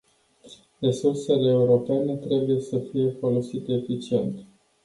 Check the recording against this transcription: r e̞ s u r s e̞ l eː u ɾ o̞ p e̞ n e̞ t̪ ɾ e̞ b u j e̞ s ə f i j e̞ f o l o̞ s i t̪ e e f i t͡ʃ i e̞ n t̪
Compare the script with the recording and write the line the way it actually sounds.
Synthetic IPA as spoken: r e̞ s u r s e̞ l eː u ɾ o̞ p e̞ n e̞ t̪ ɾ e̞ b u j e̞ s ə f i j e̞ f o l o̞ s i t̪ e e f i t͡ʃ i e̞ n t̪